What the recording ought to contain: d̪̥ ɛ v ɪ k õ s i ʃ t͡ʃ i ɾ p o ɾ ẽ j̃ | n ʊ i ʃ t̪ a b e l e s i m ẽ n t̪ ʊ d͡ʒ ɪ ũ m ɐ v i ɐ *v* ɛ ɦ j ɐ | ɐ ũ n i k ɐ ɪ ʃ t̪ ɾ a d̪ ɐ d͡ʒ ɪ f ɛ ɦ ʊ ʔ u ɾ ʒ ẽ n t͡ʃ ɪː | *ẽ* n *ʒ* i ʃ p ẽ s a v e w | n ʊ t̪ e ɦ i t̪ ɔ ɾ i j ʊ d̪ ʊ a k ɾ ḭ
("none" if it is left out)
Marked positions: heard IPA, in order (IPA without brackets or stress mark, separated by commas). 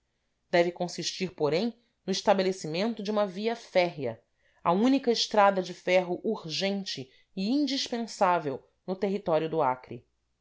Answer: f, ĩ, d͡ʒ